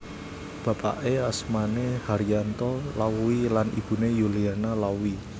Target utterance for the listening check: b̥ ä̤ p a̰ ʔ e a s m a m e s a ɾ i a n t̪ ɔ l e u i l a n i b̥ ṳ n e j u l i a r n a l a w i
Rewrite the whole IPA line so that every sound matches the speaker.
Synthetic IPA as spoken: b̥ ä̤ p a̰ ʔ e a s m a n e h a ɾ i a n t̪ ɔ l a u i l a n i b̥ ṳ n e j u l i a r n a l a w i